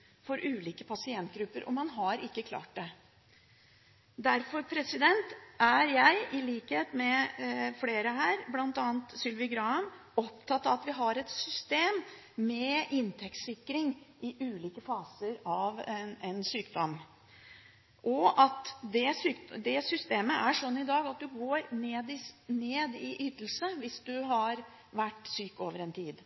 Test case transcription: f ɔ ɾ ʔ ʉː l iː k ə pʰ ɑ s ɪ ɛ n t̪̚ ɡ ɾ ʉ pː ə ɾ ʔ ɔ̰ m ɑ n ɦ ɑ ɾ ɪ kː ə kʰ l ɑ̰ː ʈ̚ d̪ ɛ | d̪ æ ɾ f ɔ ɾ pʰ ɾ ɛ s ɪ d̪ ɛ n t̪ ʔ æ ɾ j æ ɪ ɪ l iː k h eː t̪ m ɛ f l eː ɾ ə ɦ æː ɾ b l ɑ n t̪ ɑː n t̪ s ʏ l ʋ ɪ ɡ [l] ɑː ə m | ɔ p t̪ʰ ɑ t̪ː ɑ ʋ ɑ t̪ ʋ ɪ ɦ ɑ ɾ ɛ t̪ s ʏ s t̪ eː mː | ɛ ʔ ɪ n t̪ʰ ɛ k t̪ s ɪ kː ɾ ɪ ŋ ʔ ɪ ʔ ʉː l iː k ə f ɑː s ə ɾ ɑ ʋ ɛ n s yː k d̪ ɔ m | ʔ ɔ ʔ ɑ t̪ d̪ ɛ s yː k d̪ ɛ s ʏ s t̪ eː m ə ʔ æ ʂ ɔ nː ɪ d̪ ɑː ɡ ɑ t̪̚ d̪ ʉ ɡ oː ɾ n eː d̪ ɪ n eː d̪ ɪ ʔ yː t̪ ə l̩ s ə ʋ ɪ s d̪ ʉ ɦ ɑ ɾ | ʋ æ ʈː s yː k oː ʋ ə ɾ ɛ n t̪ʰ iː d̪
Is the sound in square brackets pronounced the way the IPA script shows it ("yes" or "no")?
no